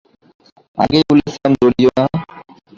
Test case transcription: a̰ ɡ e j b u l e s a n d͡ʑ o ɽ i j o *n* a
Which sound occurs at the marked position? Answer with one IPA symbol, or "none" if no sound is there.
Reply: n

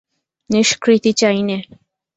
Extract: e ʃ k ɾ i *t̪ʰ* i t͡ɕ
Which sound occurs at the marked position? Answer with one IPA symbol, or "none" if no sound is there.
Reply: t̪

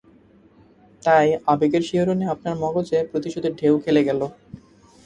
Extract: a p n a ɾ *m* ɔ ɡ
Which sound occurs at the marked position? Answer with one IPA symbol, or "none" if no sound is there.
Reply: m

